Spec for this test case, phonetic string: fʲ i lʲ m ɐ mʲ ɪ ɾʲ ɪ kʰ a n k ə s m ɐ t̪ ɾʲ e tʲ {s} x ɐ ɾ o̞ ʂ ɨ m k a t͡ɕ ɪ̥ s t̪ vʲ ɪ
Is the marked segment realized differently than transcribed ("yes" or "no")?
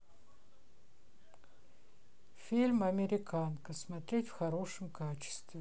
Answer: yes